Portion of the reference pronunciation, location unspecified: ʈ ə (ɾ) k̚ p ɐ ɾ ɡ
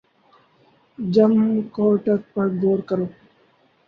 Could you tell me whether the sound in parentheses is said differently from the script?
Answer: yes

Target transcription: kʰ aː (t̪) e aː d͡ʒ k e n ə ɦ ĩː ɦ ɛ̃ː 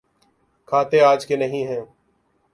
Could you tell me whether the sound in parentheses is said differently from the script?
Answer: no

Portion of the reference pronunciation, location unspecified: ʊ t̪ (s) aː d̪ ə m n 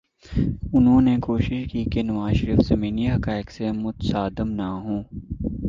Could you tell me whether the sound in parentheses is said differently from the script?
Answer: no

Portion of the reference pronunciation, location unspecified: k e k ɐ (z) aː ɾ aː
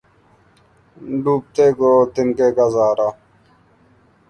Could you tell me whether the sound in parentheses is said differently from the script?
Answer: no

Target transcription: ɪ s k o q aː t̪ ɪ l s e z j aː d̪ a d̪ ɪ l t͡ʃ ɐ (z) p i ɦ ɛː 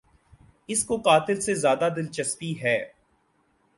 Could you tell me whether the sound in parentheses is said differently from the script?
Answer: yes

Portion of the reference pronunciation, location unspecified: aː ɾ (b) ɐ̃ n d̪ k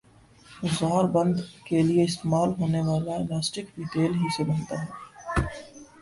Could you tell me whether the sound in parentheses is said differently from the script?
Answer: no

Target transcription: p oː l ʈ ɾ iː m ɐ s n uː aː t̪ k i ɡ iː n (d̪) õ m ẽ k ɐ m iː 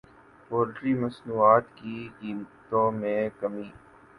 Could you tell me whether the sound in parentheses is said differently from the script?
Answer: yes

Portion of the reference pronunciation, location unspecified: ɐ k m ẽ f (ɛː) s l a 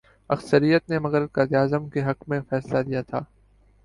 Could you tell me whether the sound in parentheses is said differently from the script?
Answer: no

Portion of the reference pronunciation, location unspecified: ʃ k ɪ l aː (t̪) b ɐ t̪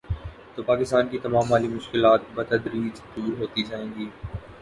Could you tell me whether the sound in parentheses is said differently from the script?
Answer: no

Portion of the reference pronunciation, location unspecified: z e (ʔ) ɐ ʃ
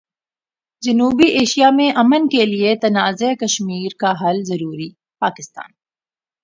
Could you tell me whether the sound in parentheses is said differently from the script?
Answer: yes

